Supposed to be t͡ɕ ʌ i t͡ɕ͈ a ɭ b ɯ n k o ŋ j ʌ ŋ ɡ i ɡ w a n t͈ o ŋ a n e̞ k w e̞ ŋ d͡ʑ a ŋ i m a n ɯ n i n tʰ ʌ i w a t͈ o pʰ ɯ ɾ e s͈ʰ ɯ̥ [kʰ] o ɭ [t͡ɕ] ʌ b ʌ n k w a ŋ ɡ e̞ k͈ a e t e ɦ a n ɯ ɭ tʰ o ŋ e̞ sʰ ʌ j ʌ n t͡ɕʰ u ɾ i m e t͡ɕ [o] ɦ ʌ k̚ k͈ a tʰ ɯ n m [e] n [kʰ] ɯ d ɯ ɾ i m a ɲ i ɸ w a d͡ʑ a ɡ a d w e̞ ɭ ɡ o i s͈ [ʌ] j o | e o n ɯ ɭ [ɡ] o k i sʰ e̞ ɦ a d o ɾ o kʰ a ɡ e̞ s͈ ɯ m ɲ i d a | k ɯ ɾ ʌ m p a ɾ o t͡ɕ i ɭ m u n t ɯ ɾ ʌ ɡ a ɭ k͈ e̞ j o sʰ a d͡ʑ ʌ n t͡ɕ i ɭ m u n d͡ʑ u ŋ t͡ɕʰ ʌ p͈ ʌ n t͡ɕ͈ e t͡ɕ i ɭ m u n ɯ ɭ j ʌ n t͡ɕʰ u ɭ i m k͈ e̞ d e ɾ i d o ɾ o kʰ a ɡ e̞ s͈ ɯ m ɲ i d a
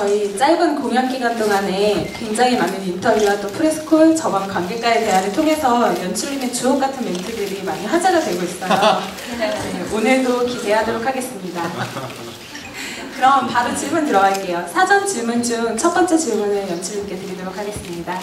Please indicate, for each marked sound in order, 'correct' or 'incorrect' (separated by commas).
correct, correct, incorrect, correct, incorrect, correct, incorrect